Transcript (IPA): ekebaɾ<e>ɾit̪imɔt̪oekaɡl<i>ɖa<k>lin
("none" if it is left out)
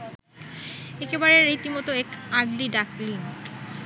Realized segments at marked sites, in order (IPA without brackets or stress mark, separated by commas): e, i, k